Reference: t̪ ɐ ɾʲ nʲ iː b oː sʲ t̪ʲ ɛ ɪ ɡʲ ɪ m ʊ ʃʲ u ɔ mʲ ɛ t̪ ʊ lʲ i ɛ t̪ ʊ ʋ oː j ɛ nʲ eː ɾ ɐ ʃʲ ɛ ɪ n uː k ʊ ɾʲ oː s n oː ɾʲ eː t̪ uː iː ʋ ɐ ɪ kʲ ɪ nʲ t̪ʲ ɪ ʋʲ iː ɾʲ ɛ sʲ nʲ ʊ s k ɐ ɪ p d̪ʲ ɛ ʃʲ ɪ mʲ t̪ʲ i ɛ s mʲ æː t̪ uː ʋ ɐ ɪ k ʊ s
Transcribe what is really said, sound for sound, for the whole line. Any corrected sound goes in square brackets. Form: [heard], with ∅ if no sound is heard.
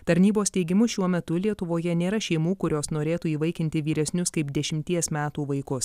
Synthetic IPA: t̪ ɐ ɾʲ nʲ iː b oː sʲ t̪ʲ ɛ ɪ ɡʲ ɪ m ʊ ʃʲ u ɔ mʲ ɛ t̪ ʊ lʲ i ɛ t̪ ʊ ʋ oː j ɛ nʲ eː ɾ ɐ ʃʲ ɛ ɪ [m] uː k ʊ ɾʲ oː s n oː ɾʲ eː t̪ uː iː ʋ ɐ ɪ kʲ ɪ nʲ t̪ʲ ɪ ʋʲ iː ɾʲ ɛ sʲ nʲ ʊ s k ɐ ɪ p d̪ʲ ɛ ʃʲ ɪ mʲ t̪ʲ i ɛ s mʲ æː t̪ uː ʋ ɐ ɪ k ʊ s